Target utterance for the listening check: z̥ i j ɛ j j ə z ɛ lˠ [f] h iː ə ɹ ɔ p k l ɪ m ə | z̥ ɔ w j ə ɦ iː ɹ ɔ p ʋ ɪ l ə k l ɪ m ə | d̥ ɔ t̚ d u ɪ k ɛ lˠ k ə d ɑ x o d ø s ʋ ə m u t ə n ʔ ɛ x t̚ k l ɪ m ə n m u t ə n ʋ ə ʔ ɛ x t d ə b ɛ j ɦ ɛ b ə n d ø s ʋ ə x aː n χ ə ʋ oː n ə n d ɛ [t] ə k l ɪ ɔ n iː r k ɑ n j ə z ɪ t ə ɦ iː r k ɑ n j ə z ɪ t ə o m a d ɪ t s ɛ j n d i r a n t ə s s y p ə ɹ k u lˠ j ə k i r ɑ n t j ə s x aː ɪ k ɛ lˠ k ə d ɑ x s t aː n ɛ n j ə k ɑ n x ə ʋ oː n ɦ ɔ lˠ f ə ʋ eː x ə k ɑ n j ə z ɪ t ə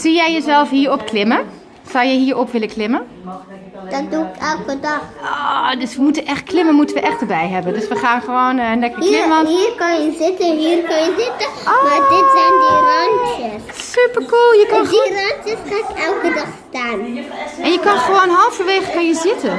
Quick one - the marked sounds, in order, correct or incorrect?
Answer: correct, incorrect: k

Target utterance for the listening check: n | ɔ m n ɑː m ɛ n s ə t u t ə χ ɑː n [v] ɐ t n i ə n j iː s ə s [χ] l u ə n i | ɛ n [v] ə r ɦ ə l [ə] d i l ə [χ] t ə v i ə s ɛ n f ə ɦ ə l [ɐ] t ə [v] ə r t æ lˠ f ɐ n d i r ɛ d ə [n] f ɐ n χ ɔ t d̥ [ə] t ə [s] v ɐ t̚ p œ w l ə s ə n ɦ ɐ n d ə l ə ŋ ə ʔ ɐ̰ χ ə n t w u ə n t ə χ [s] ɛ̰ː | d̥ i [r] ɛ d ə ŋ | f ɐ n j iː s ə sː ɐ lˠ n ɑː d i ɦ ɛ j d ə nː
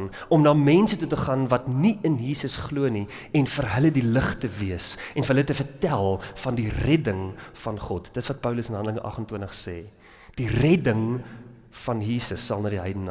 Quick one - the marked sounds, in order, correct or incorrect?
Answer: correct, correct, incorrect: f, correct, correct, incorrect: ə, incorrect: f, incorrect: ŋ, correct, correct, correct, correct

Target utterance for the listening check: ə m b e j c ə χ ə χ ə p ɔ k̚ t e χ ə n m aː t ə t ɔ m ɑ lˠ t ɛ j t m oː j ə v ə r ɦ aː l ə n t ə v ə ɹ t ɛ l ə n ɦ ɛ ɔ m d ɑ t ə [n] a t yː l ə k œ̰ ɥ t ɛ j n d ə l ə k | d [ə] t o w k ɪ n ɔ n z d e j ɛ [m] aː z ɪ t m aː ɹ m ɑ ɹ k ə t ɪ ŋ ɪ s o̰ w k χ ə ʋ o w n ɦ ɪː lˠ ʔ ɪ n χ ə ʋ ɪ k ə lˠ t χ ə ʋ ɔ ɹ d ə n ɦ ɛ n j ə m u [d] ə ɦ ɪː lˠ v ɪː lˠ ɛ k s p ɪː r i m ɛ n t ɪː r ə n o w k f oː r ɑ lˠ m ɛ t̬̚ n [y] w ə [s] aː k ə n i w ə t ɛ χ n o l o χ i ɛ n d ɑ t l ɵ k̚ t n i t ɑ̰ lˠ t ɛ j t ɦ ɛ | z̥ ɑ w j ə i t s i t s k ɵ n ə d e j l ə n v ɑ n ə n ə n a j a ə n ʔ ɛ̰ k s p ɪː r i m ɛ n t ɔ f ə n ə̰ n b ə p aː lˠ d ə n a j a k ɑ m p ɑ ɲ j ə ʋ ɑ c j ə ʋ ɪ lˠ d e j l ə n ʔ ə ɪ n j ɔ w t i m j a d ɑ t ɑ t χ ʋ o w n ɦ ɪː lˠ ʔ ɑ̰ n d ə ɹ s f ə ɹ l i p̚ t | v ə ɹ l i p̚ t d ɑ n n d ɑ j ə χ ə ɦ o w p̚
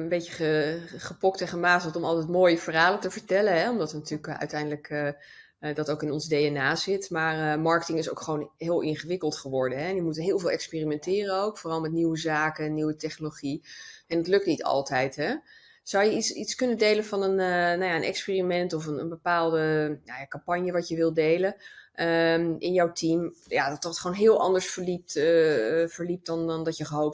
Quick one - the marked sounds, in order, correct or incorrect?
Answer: correct, incorrect: ɑ, incorrect: n, incorrect: t, incorrect: i, incorrect: z

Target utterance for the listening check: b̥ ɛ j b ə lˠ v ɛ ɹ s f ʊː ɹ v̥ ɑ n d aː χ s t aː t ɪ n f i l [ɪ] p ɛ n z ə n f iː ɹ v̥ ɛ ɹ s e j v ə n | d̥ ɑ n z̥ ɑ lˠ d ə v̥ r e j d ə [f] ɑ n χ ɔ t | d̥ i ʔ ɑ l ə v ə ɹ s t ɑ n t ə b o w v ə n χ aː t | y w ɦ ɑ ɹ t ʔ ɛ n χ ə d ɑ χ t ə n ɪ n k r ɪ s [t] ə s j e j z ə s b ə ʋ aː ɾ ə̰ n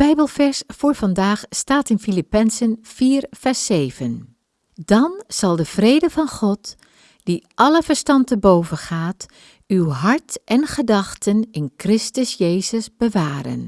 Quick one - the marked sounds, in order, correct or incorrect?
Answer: incorrect: i, incorrect: v, correct

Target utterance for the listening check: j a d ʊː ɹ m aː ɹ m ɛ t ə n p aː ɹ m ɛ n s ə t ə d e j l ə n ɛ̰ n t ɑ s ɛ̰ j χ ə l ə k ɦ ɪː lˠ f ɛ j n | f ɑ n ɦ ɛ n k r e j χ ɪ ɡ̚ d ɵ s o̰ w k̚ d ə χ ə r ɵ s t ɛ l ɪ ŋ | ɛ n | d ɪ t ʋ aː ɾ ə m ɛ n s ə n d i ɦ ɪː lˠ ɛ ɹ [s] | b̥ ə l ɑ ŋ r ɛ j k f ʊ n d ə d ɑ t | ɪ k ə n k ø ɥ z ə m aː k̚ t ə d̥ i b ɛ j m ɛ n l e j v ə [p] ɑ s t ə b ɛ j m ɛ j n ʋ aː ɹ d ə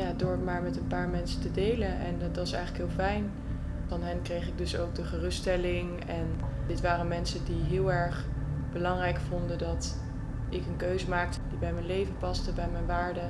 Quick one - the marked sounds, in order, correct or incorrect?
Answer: incorrect: χ, correct

